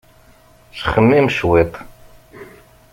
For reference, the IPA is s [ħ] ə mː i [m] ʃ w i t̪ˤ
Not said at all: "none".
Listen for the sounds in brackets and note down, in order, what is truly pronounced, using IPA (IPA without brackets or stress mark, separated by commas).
χ, m